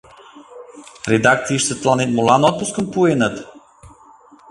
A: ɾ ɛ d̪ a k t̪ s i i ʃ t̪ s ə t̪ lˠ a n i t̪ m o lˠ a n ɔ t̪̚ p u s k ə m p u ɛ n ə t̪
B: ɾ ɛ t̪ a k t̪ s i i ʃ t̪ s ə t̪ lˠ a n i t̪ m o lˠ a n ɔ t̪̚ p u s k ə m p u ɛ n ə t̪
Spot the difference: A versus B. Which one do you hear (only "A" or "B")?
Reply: A